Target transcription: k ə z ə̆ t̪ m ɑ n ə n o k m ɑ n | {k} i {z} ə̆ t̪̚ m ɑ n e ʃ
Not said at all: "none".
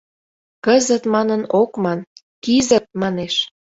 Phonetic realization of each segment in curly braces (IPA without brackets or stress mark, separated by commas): k, z